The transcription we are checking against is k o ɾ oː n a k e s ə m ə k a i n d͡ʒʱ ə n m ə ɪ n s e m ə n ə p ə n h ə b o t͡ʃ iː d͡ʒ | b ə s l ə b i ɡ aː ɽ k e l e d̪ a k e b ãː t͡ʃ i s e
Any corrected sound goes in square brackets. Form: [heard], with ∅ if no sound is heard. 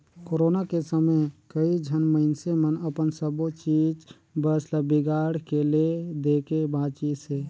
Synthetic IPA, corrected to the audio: k o ɾ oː n a k e s ə m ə k [ə] i [∅] d͡ʒʱ ə n m ə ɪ n s e m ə n ə p ə n [s] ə b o t͡ʃ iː d͡ʒ | b ə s l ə b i ɡ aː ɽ k e l e d̪ [e] k e b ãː t͡ʃ i s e